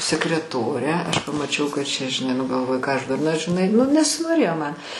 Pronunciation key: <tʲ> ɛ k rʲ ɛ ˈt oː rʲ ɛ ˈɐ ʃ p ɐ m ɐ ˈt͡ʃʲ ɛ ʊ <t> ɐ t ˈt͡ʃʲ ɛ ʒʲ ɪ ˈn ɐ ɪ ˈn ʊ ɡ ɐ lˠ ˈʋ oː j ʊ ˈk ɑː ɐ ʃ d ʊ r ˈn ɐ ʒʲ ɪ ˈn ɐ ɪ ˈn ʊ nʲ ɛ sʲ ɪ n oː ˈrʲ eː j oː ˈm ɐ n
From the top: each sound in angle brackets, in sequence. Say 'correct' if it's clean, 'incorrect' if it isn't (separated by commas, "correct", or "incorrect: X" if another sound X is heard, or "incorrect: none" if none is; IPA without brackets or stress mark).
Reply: incorrect: sʲ, incorrect: k